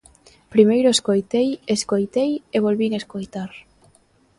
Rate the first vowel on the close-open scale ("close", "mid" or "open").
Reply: close